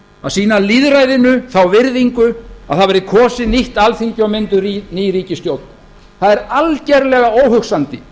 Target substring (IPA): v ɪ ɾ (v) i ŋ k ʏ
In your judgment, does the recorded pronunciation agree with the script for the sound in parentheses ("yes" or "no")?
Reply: no